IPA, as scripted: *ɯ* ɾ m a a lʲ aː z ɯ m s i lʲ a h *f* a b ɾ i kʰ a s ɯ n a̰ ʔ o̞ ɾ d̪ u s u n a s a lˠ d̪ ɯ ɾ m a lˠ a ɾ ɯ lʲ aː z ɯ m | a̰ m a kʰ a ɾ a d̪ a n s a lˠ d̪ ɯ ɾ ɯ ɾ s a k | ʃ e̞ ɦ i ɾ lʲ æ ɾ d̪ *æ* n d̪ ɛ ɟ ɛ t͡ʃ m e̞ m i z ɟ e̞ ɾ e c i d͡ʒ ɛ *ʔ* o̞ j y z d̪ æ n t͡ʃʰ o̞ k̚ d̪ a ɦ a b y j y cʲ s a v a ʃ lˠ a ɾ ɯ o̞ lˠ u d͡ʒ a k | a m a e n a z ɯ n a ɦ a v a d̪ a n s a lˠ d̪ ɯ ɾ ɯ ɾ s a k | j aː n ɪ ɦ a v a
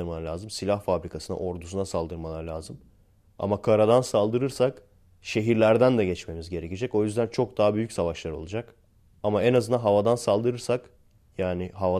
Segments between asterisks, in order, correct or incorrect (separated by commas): correct, correct, correct, incorrect